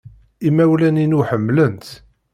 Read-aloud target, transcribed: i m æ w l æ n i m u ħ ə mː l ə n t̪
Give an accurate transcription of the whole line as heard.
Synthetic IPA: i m æ w l æ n i n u ħ ə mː l ə n t̪